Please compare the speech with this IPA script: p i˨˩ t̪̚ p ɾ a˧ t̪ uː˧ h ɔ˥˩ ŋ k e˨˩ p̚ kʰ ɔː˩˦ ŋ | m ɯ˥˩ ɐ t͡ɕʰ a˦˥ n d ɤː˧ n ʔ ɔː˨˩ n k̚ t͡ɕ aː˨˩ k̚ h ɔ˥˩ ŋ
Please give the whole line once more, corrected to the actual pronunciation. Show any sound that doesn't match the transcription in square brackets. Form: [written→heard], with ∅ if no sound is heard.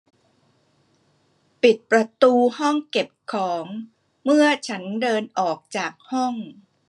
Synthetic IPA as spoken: p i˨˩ t̪̚ p ɾ a˧ t̪ uː˧ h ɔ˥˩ ŋ k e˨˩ p̚ kʰ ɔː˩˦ ŋ | m ɯ˥˩ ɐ t͡ɕʰ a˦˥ n d ɤː˧ n ʔ ɔː˨˩ [n→∅] k̚ t͡ɕ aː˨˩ k̚ h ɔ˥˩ ŋ